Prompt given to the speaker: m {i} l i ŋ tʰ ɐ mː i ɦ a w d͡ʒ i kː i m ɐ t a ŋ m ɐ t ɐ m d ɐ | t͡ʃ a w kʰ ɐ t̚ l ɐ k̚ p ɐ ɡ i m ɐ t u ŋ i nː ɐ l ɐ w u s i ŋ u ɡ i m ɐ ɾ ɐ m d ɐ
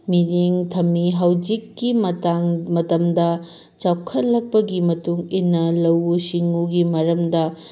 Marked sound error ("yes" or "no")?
no